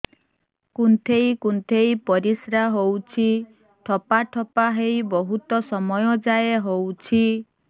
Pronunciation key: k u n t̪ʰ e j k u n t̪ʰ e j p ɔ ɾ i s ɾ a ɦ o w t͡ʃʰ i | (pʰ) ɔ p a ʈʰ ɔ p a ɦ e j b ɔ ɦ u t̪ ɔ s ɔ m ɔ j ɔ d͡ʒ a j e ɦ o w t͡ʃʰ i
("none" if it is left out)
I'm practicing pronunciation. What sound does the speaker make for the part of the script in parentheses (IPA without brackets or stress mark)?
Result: ʈʰ